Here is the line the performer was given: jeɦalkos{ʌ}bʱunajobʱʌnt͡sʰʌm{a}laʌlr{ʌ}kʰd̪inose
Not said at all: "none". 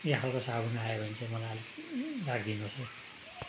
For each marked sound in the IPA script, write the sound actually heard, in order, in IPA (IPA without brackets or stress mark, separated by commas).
a, ʌ, a